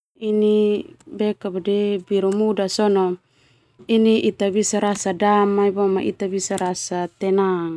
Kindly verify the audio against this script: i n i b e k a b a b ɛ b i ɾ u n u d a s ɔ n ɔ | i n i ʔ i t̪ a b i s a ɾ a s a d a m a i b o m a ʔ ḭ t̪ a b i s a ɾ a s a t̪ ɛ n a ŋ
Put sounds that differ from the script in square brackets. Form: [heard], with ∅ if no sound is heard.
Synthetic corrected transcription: i n i b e k a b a [d] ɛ b i ɾ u [m] u d a s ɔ n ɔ | i n i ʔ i t̪ a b i s a ɾ a s a d a m a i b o m a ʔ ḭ t̪ a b i s a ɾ a s a t̪ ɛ n a ŋ